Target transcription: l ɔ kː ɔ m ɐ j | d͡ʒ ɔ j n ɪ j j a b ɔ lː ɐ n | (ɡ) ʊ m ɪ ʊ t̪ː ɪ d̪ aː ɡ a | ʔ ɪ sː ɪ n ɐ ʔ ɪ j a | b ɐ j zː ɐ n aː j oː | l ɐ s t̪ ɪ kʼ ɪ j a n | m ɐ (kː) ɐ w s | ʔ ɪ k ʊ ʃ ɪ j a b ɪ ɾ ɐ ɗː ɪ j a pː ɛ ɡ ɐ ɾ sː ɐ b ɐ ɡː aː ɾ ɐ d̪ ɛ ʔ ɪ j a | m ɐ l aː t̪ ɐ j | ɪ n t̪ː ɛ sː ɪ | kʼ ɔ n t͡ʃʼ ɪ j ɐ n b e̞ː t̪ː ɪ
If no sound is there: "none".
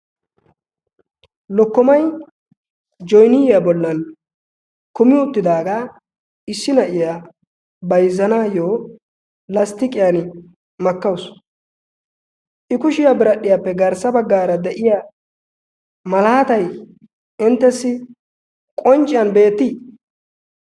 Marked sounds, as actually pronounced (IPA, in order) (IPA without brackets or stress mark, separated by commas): k, kː